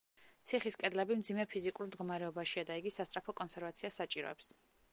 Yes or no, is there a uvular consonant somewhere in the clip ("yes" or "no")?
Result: yes